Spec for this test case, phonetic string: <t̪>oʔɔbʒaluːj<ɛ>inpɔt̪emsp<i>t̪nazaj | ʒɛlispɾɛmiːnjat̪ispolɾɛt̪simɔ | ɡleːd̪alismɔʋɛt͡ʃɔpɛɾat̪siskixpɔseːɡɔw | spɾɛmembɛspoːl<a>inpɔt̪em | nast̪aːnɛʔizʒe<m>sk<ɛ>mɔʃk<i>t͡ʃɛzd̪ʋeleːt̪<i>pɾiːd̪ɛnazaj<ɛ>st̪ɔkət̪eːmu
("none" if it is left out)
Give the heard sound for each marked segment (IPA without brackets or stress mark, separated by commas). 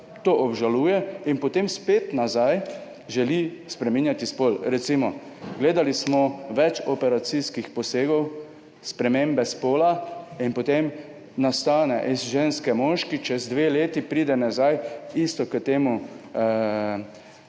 t̪, ɛ, e, a, n, ɛ, i, i, i